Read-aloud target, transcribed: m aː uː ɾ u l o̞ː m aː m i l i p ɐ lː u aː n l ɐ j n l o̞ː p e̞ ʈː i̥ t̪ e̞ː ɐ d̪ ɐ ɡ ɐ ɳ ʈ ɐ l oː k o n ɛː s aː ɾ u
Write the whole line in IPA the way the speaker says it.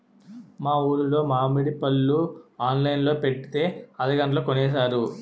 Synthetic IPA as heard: m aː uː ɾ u l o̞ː m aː m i ɽ i p ɐ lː u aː n l ɐ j n l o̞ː p e̞ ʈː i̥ t̪ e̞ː ɐ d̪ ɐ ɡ ɐ ɳ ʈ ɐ l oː k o n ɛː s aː ɾ u